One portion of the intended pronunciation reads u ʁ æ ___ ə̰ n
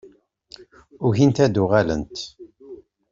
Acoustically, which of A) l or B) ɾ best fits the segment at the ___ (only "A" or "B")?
A